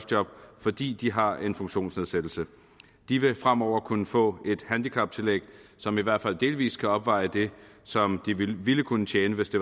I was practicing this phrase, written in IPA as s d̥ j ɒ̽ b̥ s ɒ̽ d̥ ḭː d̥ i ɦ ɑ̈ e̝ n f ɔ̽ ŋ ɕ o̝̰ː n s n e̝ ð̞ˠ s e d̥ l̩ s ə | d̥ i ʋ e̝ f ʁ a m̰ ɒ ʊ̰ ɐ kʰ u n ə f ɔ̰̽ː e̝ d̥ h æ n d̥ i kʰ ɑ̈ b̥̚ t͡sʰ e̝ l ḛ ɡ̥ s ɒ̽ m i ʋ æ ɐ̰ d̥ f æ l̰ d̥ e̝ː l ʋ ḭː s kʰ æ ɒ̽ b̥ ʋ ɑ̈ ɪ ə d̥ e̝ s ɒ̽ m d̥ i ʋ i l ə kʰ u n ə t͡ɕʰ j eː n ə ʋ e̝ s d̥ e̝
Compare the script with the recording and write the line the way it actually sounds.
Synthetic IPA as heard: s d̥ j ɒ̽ b̥ f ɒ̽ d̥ ḭː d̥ i ɦ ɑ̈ e̝ n f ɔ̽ ŋ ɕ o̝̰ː n s n e̝ ð̞ˠ s e d̥ l̩ s ə | d̥ i ʋ e̝ f ʁ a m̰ ɒ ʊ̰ ɐ kʰ u n ə f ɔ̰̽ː e̝ d̥ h æ n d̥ i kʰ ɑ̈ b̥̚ t͡sʰ e̝ l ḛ ɡ̥ s ɒ̽ m i ʋ æ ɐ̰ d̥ f æ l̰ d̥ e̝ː l ʋ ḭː s kʰ æ ɒ̽ b̥ ʋ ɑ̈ ɪ ə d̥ e̝ s ɒ̽ m d̥ i ʋ i l ə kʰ u n ə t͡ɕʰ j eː n ə ʋ e̝ s d̥ e̝

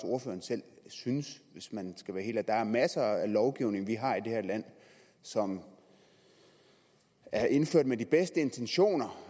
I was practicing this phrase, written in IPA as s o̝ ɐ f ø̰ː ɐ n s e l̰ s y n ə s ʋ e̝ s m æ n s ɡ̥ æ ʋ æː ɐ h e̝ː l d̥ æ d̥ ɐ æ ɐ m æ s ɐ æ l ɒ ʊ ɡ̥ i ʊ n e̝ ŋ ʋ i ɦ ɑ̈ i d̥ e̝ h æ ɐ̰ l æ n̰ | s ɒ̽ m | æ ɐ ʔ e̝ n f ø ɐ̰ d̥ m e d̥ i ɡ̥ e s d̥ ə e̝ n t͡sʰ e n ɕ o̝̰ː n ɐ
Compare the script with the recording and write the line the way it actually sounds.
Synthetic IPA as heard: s o̝ ɐ f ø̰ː ɐ n s e l̰ s y n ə s ʋ e̝ s m æ n s ɡ̥ æ ʋ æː ɐ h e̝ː l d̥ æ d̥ ɑ æ ɐ m æ s ɐ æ l ɒ ʊ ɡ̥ i ʊ n e̝ ŋ ʋ i ɦ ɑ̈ i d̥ e̝ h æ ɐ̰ l æ n̰ | s ɒ̽ m | æ ɐ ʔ e̝ n f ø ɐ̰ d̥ m e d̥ i b̥ e s d̥ ə e̝ n t͡sʰ e n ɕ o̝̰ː n ɐ

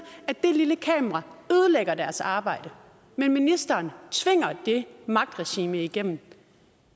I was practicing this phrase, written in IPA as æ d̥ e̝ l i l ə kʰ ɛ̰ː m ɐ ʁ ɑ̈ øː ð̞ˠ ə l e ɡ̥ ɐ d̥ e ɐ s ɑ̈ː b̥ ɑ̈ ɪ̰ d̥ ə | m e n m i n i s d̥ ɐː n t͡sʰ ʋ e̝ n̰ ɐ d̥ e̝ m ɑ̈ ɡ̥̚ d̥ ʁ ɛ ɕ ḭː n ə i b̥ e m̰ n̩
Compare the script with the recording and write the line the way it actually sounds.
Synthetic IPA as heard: æ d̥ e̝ l i l ə kʰ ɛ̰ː m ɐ ʁ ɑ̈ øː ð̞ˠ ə l e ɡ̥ ɐ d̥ æ ɐ s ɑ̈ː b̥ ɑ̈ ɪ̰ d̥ ə | m e n m i n i s d̥ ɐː n t͡sʰ ʋ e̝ ŋ̰ ɐ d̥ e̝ m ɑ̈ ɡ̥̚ d̥ ʁ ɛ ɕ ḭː m ə i ɡ̥ e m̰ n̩

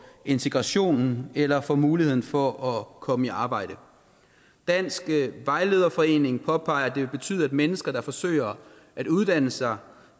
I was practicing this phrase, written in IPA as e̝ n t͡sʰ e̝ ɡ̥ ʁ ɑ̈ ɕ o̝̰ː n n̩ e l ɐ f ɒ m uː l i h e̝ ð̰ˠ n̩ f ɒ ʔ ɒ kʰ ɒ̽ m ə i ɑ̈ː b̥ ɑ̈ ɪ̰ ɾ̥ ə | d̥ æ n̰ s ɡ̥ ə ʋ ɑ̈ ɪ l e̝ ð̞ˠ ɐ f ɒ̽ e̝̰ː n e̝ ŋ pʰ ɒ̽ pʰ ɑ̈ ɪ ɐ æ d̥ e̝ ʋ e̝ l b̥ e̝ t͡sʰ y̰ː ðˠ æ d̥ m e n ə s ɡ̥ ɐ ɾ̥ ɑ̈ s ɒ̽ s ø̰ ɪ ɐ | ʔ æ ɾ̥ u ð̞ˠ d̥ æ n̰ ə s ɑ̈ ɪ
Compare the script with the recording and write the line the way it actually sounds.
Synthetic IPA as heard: e̝ n t͡sʰ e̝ ɡ̥ ʁ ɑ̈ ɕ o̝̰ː n n̩ e l ɐ f ɒ m uː l i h e̝ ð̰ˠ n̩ f ɒ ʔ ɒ kʰ ɒ̽ m ə i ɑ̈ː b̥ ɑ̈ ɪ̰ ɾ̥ ə | d̥ æ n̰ s ɡ̥ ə ʋ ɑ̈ ɪ l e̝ ð̞ˠ ɐ f ɒ̽ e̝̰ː n e̝ ŋ pʰ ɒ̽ pʰ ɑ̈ ɪ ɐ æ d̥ e̝ ʋ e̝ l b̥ e̝ t͡sʰ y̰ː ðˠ æ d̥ m e n ə s ɡ̥ ɐ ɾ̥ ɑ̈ f ɒ̽ s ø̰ ɪ ɐ | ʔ æ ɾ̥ u ð̞ˠ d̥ æ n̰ ə s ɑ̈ ɪ

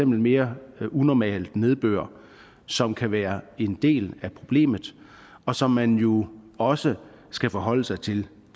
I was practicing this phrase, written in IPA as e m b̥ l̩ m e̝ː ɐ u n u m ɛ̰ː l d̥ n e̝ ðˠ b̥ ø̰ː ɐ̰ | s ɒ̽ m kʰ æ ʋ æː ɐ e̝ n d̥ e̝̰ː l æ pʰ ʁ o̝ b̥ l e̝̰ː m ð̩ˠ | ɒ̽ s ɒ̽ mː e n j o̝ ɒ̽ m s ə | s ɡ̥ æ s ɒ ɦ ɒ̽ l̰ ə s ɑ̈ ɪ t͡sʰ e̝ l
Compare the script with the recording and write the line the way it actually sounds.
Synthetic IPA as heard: e m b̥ l̩ m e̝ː ɐ u n ɒ m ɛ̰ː l d̥ n e̝ ðˠ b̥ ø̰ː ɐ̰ | s ɒ̽ m kʰ æ ʋ æː ɐ e̝ n d̥ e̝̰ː l æ pʰ ʁ o̝ b̥ l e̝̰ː m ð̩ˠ | ɒ̽ s ɒ̽ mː æ n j o̝ ɒ̽ s ə | s ɡ̥ æ f ɒ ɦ ɒ̽ l̰ ə s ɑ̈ ɪ t͡sʰ e̝ l

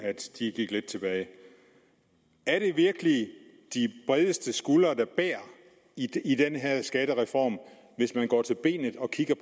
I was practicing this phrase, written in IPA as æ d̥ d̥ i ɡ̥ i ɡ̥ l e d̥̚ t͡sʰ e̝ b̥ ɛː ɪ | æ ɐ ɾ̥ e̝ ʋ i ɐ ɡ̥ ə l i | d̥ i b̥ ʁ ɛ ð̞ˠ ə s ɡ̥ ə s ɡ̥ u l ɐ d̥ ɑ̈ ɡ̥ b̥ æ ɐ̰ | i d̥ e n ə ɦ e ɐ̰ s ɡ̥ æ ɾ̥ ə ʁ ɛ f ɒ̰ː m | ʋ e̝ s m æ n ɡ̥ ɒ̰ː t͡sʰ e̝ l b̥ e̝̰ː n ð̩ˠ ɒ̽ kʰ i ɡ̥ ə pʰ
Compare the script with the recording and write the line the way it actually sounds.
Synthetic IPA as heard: æ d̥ d̥ i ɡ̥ i ɡ̥ l e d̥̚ t͡sʰ e̝ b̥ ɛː ɪ | æ ɐ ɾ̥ e̝ ʋ i ɐ ɡ̥ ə l i | d̥ i b̥ ʁ ɛ ð̞ˠ ə s d̥ ə s ɡ̥ u l ɐ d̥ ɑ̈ b̥ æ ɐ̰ | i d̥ e n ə ɦ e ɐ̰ s ɡ̥ æ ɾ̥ ə ʁ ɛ f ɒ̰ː m | ʋ e̝ s m æ n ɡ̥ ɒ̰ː t͡sʰ e̝ l b̥ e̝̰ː n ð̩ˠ ɒ̽ kʰ i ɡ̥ ɐ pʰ

